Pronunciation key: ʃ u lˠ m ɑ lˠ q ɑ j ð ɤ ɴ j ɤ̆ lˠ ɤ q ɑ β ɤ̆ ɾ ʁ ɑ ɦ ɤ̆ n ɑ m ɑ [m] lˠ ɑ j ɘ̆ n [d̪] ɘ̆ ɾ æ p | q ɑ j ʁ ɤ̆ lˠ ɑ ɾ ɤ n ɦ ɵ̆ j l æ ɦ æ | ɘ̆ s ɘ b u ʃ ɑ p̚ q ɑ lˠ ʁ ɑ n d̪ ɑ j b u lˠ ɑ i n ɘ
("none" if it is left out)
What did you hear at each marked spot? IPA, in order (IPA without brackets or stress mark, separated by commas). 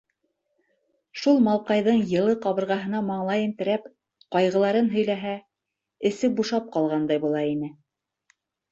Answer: ɴ, t̪